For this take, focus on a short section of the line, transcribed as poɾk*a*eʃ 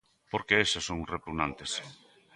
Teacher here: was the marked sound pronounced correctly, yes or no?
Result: no